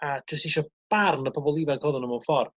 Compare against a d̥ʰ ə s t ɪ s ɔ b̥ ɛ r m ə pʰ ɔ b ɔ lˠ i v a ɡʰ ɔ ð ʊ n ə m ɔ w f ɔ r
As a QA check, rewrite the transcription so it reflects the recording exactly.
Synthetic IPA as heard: a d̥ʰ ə s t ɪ ʃ ɔ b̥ a r n ə pʰ ɔ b ɔ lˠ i v a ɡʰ ɔ ð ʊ n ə m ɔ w f ɔ r